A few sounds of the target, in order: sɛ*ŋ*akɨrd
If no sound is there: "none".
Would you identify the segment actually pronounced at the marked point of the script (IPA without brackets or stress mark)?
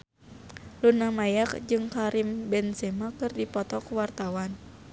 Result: m